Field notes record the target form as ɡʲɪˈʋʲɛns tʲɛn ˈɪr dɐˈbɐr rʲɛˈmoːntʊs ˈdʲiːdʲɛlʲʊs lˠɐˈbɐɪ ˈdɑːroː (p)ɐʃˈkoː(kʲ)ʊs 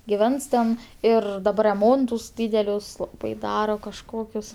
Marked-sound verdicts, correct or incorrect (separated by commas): incorrect, correct